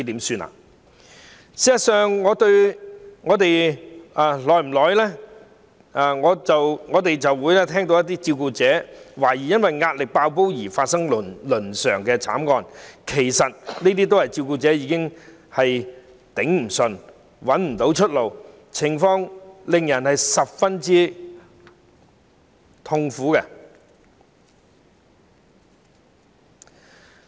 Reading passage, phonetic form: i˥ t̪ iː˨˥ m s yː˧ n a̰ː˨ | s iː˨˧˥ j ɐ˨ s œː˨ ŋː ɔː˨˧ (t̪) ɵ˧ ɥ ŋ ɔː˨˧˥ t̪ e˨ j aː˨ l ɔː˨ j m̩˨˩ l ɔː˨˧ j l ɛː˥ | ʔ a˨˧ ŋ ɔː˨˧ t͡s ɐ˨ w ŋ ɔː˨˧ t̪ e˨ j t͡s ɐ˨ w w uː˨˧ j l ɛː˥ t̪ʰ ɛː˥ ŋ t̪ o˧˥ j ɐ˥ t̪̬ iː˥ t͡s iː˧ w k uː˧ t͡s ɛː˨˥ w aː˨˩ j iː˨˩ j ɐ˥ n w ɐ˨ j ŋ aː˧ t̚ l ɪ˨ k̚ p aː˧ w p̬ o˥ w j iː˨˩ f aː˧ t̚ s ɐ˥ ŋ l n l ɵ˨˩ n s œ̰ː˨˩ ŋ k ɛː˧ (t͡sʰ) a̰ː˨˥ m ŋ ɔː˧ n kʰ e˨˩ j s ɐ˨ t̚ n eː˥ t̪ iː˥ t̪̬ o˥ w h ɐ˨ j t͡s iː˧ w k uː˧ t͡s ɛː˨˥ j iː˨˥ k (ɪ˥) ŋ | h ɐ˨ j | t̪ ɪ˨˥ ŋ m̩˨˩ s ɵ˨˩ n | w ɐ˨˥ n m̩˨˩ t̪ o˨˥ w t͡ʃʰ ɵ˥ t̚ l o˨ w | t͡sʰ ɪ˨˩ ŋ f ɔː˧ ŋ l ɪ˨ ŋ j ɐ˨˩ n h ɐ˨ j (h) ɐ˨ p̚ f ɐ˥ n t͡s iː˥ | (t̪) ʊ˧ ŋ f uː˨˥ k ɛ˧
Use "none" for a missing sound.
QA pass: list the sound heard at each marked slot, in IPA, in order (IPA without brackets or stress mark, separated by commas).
t̪, t͡sʰ, ɪ˥, s, t̪ʰ